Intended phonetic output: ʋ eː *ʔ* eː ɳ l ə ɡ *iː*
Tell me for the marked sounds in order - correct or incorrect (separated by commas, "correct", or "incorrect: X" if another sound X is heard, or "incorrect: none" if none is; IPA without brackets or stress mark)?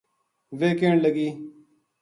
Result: incorrect: k, correct